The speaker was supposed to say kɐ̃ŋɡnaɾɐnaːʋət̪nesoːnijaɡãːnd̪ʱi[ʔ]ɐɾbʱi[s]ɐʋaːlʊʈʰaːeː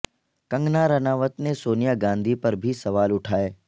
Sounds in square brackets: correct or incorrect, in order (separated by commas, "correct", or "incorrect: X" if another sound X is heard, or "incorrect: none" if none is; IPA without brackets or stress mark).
incorrect: p, correct